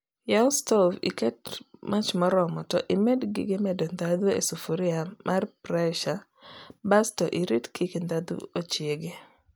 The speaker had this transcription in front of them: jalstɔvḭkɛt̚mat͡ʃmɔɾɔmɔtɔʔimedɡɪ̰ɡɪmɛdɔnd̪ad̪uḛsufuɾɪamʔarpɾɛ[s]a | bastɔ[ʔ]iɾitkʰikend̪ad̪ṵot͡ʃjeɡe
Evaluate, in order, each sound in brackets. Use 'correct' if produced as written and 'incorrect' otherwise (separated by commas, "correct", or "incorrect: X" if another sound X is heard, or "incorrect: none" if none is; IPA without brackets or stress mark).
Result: incorrect: ʃ, correct